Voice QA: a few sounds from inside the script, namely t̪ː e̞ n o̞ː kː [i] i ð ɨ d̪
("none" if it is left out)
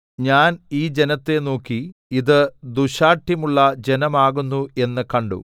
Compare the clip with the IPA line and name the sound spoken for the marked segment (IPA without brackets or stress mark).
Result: i